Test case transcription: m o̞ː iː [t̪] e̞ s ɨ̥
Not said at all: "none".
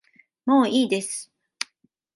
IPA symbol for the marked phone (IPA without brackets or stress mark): d̪